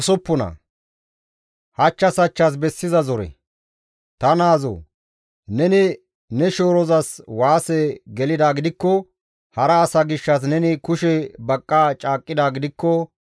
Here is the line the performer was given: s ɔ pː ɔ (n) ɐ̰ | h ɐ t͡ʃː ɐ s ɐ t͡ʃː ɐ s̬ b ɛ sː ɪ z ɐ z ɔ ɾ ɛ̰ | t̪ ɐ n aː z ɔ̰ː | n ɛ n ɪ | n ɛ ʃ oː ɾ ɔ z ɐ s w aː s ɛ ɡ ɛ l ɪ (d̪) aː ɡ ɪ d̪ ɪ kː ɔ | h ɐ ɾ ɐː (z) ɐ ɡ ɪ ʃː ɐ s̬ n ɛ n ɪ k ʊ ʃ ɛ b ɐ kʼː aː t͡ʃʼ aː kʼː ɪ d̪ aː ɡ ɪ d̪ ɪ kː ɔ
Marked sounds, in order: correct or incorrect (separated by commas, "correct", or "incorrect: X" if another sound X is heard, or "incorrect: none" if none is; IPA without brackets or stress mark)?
correct, correct, incorrect: s